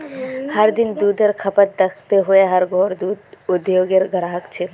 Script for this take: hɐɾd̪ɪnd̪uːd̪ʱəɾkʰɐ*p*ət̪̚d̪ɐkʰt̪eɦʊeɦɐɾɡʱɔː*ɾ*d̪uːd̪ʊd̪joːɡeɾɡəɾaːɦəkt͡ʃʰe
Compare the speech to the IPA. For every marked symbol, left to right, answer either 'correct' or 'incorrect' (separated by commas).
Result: correct, correct